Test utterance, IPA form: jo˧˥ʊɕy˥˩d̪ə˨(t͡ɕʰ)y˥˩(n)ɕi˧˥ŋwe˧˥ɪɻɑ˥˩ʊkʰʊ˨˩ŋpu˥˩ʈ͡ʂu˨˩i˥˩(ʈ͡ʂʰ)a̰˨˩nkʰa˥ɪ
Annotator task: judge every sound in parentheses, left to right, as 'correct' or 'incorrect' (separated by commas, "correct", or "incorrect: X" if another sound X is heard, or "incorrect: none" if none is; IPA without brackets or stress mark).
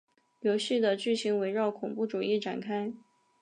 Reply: incorrect: t͡ɕ, incorrect: none, incorrect: ʈ͡ʂ